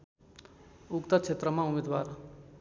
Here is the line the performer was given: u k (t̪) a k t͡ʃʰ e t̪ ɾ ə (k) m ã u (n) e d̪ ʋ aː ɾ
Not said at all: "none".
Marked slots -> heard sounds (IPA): t̪, none, m

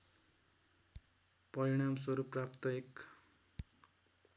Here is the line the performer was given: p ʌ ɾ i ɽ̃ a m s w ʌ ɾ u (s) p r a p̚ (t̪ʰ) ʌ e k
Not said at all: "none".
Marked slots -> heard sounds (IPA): none, t̪

